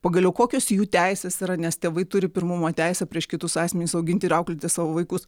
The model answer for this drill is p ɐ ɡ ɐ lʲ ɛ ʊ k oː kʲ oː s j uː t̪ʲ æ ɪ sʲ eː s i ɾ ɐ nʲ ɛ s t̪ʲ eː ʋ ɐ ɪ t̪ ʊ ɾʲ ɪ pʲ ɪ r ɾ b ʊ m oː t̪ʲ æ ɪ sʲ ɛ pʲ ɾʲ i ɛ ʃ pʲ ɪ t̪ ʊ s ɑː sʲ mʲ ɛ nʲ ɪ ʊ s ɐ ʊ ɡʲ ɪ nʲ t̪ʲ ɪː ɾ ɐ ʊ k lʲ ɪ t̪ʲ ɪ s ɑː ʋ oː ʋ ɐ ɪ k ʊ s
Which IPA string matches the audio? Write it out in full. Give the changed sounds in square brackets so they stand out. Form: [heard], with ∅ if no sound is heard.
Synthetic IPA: p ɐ ɡ ɐ lʲ ɛ ʊ k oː kʲ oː s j uː t̪ʲ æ ɪ sʲ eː s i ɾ ɐ nʲ ɛ s t̪ʲ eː ʋ ɐ ɪ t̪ ʊ ɾʲ ɪ pʲ ɪ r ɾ [m] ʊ m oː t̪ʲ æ ɪ sʲ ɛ pʲ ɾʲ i ɛ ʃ [kʲ] ɪ t̪ ʊ s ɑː sʲ mʲ ɛ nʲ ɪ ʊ s ɐ ʊ ɡʲ ɪ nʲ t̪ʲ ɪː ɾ ɐ ʊ k lʲ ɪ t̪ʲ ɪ s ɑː ʋ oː ʋ ɐ ɪ k ʊ s

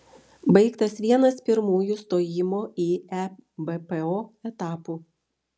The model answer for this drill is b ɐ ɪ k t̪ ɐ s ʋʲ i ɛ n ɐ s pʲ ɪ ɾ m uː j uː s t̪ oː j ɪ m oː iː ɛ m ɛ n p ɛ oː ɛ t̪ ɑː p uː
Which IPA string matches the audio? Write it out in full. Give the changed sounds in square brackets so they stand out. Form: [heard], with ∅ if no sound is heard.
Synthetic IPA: b ɐ ɪ k t̪ ɐ s ʋʲ i ɛ n ɐ s pʲ ɪ ɾ m uː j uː s t̪ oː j ɪ m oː iː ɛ [b] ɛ [∅] p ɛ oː ɛ t̪ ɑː p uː

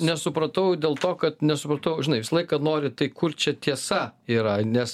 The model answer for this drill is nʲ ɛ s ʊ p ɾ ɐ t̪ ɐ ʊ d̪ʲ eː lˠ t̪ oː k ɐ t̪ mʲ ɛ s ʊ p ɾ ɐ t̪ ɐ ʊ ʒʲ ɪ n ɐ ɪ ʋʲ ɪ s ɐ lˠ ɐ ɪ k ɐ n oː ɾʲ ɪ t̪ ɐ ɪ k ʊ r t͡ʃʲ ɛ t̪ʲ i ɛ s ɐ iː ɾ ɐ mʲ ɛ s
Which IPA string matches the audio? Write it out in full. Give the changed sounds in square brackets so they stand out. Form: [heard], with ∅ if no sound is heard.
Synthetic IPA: nʲ ɛ s ʊ p ɾ ɐ t̪ ɐ ʊ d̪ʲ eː lˠ t̪ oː k ɐ t̪ [nʲ] ɛ s ʊ p ɾ ɐ t̪ ɐ ʊ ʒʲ ɪ n ɐ ɪ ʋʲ ɪ s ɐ lˠ ɐ ɪ k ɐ n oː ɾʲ ɪ t̪ ɐ ɪ k ʊ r t͡ʃʲ ɛ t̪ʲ i ɛ s ɐ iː ɾ ɐ [nʲ] ɛ s

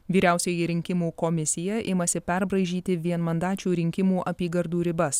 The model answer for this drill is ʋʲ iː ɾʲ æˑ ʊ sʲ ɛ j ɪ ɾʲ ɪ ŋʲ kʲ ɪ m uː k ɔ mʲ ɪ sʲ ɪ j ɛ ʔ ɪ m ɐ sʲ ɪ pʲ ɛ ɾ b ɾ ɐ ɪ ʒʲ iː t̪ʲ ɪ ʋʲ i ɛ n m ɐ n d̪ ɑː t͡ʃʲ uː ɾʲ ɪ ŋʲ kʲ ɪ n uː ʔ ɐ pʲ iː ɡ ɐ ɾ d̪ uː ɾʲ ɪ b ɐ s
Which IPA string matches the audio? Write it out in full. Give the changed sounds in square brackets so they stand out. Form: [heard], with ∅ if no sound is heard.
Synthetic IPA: ʋʲ iː ɾʲ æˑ ʊ sʲ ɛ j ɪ ɾʲ ɪ ŋʲ kʲ ɪ m uː k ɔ mʲ ɪ sʲ ɪ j ɛ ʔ ɪ m ɐ sʲ ɪ pʲ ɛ ɾ b ɾ ɐ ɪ ʒʲ iː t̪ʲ ɪ ʋʲ i ɛ n m ɐ n d̪ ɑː t͡ʃʲ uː ɾʲ ɪ ŋʲ kʲ ɪ [m] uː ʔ ɐ pʲ iː ɡ ɐ ɾ d̪ uː ɾʲ ɪ b ɐ s

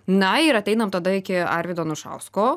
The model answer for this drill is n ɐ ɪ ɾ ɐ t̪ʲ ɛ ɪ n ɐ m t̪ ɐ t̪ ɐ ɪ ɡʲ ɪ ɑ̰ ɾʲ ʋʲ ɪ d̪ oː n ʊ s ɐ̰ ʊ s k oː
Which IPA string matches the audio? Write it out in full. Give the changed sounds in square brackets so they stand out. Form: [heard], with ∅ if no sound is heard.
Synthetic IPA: n ɐ ɪ ɾ ɐ t̪ʲ ɛ ɪ n ɐ m t̪ ɐ [d̪] ɐ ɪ [kʲ] ɪ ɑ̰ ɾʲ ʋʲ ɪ d̪ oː n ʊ [ʃ] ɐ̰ ʊ s k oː

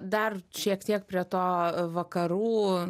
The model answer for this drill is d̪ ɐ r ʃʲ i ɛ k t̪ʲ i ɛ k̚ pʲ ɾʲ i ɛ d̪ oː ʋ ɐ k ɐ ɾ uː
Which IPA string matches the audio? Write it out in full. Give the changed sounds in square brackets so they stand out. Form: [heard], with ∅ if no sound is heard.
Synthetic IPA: d̪ ɐ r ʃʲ i ɛ k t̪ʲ i ɛ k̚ pʲ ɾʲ i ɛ [t̪] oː ʋ ɐ k ɐ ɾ uː

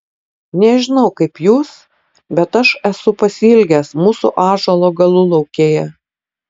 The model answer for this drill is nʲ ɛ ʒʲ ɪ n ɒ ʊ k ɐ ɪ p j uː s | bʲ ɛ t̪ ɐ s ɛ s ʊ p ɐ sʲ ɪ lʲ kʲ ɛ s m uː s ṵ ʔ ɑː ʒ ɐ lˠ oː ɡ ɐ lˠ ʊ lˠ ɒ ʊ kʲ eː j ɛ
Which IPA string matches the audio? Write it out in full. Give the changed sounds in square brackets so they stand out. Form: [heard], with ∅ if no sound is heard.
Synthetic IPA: nʲ ɛ ʒʲ ɪ n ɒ ʊ k ɐ ɪ p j uː s | bʲ ɛ t̪ ɐ [ʃ] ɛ s ʊ p ɐ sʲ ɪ lʲ [ɡʲ] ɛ s m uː s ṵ ʔ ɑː ʒ ɐ lˠ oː ɡ ɐ lˠ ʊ lˠ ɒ ʊ kʲ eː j ɛ

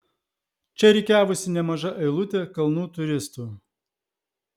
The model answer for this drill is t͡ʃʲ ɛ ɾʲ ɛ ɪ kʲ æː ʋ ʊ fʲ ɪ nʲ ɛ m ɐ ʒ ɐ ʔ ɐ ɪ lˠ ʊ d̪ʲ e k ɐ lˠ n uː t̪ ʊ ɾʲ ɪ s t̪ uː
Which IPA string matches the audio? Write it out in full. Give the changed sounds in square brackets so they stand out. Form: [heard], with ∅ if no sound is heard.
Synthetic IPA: t͡ʃʲ ɛ ɾʲ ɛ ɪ kʲ æː ʋ ʊ [sʲ] ɪ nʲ ɛ m ɐ ʒ ɐ ʔ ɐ ɪ lˠ ʊ [t̪ʲ] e k ɐ lˠ n uː t̪ ʊ ɾʲ ɪ s t̪ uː

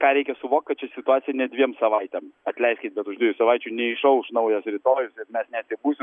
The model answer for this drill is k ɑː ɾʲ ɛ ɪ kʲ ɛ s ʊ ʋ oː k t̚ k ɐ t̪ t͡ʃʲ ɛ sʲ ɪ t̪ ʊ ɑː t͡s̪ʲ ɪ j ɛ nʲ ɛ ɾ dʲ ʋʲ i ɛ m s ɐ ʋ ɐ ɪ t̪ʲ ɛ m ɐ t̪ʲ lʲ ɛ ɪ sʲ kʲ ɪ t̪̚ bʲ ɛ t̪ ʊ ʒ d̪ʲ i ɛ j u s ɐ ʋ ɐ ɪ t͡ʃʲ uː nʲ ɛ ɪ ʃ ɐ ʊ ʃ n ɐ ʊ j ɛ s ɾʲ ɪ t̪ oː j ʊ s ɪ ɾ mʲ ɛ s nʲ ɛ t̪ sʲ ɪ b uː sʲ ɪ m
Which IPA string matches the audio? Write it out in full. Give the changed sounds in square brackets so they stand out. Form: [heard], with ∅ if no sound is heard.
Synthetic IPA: k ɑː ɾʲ ɛ ɪ kʲ ɛ s ʊ ʋ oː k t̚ k ɐ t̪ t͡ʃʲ ɛ sʲ ɪ t̪ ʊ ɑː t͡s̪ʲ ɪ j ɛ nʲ ɛ [∅] dʲ ʋʲ i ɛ m s ɐ ʋ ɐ ɪ t̪ʲ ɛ m ɐ t̪ʲ lʲ ɛ ɪ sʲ kʲ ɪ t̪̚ bʲ ɛ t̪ ʊ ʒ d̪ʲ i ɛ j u s ɐ ʋ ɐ ɪ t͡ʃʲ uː nʲ ɛ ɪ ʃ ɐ ʊ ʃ n ɐ ʊ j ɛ s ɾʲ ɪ t̪ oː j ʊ s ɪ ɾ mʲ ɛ s nʲ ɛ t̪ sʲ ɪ b uː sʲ ɪ m

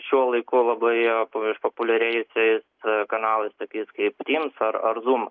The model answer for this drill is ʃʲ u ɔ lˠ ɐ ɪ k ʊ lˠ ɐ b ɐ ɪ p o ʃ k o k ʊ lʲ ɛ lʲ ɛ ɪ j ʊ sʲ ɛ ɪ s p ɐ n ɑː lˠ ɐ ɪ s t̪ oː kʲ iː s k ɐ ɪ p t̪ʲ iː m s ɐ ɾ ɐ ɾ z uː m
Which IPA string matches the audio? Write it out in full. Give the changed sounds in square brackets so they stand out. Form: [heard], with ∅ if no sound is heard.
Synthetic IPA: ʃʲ u ɔ lˠ ɐ ɪ k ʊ lˠ ɐ b ɐ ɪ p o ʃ [p] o [p] ʊ lʲ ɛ [ɾʲ] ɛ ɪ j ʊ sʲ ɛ ɪ s [k] ɐ n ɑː lˠ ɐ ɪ s t̪ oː kʲ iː s k ɐ ɪ p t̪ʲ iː m s ɐ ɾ ɐ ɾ z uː m

